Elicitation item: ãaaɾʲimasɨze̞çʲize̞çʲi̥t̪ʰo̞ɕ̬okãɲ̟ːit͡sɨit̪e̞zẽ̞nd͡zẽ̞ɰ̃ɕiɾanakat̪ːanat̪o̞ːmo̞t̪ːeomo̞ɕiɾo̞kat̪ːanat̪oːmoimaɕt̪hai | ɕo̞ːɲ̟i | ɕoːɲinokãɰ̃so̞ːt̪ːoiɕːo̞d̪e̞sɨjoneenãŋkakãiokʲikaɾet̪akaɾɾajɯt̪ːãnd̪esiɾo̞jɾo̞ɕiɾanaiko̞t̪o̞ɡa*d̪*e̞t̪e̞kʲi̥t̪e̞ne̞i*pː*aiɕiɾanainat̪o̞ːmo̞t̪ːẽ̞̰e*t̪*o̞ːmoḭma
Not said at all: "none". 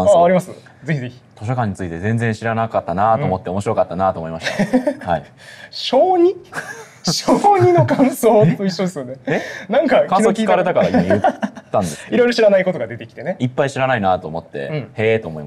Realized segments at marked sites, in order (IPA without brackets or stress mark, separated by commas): d̪, pː, t̪